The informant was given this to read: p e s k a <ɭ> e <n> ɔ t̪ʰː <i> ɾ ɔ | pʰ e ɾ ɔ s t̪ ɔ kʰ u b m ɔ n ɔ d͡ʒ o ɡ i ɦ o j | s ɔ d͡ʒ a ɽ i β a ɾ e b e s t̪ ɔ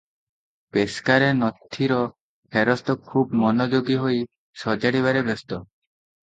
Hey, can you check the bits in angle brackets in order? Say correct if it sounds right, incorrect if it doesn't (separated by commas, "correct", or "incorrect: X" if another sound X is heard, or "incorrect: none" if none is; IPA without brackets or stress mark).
incorrect: ɾ, correct, correct